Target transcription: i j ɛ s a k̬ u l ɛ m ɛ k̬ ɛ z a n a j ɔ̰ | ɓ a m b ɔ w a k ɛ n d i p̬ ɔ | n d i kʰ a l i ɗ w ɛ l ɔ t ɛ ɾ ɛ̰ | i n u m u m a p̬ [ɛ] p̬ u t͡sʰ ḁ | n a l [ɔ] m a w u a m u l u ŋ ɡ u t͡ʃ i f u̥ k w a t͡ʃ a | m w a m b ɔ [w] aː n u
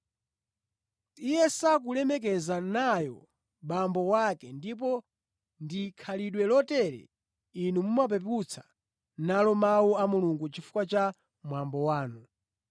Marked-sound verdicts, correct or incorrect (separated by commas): correct, correct, correct